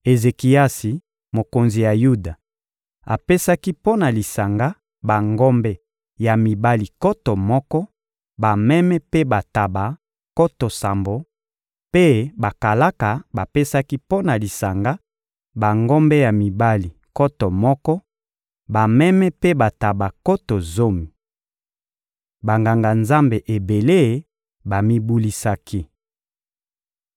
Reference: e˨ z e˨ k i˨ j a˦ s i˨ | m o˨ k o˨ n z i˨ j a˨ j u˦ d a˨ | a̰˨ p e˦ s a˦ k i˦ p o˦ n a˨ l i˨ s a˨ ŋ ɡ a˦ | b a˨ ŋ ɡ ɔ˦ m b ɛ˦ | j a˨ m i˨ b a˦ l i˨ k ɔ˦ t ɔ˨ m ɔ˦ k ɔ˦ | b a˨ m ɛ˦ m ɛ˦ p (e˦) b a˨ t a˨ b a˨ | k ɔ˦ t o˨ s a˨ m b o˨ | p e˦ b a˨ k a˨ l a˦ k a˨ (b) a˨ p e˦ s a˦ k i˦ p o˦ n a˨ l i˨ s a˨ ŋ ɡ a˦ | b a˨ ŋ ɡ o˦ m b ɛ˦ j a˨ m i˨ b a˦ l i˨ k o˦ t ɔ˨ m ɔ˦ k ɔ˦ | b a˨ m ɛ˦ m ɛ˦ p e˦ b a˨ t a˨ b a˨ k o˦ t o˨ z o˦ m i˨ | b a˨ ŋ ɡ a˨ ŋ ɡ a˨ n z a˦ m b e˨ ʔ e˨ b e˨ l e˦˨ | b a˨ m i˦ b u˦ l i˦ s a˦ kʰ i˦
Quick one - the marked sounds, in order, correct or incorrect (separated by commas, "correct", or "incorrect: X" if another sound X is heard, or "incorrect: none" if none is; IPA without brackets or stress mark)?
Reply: correct, correct